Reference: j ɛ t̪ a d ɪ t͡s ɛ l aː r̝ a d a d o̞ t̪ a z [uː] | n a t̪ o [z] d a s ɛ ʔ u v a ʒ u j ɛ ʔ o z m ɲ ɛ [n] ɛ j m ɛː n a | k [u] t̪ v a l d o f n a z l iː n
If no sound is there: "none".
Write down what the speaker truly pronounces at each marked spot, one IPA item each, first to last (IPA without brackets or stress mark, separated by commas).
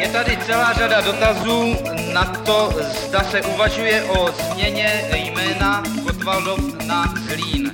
uː, z, ɲ, o